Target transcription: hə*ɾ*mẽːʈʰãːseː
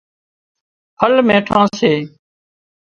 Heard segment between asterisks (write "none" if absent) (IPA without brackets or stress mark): l